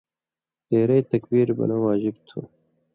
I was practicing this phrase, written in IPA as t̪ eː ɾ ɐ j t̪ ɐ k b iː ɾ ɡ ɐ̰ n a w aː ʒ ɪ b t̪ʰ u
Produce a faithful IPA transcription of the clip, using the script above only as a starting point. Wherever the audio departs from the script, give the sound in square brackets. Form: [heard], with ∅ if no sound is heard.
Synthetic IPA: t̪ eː ɾ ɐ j t̪ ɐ k b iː ɾ [b] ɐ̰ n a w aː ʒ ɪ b t̪ʰ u